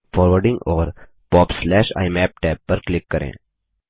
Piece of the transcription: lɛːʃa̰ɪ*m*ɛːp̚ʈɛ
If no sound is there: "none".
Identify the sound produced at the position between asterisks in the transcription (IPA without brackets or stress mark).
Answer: m